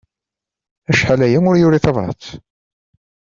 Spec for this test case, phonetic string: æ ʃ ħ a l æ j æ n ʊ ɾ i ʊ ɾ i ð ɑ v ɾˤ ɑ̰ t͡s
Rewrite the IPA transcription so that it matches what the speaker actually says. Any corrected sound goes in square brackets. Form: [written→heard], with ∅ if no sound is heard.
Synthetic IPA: æ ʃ ħ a l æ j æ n ʊ ɾ [i→j] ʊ ɾ i [ð→θ] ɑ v ɾˤ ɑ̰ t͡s